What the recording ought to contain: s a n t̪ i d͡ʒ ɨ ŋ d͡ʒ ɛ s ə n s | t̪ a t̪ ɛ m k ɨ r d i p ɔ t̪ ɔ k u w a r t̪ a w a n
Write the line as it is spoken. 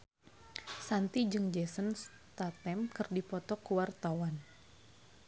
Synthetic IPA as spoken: s a n t̪ i d͡ʒ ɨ ŋ d͡ʒ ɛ s ə n s | t̪ a t̪ ɛ m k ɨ r d i p ɔ t̪ ɔ k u w a r t̪ a w a n